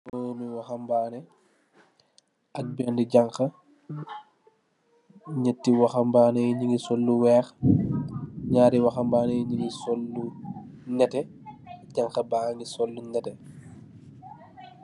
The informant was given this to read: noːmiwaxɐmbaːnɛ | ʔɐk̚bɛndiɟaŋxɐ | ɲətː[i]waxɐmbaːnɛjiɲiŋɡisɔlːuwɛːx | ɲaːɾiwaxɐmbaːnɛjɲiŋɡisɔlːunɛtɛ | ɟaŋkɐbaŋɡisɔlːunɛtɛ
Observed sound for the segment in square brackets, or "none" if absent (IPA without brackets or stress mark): i